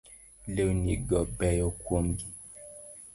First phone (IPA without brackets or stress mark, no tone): l